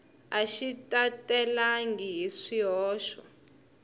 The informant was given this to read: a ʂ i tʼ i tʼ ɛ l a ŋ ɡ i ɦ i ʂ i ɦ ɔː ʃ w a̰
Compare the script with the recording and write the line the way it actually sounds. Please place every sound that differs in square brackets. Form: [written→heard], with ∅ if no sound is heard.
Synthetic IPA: a [ʂ→ʃ] i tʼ [i→a] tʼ ɛ l a ŋ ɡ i ɦ i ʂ i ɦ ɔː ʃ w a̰